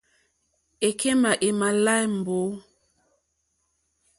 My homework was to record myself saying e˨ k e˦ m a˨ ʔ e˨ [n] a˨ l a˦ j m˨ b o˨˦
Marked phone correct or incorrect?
incorrect